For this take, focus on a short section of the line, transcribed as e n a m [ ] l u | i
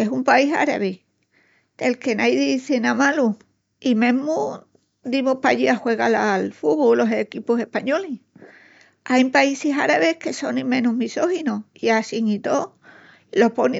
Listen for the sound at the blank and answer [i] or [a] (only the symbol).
a